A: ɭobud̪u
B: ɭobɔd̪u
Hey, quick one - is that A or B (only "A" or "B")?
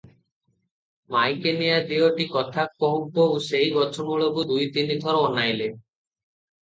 A